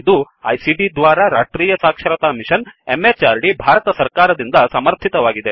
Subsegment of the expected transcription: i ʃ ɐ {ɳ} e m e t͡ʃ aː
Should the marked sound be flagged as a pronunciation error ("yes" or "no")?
yes